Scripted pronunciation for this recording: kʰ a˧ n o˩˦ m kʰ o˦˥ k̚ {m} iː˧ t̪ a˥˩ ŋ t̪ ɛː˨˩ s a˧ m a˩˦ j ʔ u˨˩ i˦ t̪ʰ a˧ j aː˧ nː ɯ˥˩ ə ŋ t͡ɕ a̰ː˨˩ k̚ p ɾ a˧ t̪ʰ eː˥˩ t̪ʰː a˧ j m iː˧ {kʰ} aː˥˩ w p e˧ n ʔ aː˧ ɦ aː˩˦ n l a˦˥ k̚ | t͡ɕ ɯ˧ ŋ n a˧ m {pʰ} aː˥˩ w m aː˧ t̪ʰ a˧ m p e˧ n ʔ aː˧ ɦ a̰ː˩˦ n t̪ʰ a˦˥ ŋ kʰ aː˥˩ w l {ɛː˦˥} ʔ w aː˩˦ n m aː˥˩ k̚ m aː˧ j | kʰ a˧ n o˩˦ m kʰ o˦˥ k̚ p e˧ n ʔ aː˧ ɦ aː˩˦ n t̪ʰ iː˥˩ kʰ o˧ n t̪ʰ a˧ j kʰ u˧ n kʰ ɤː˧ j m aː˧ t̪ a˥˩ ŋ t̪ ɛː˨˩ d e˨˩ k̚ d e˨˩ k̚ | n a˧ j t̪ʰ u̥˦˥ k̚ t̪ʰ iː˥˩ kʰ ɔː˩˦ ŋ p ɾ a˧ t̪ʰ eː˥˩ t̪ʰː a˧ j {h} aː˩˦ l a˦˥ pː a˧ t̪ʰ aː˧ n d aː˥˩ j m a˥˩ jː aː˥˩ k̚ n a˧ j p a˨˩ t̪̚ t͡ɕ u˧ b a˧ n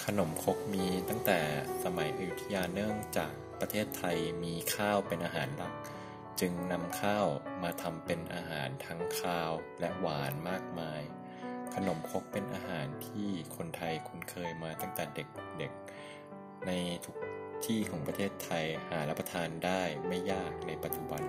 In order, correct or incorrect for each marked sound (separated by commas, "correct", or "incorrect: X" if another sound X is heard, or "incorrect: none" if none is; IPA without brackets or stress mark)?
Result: correct, correct, incorrect: kʰ, incorrect: ɛ˦˥, correct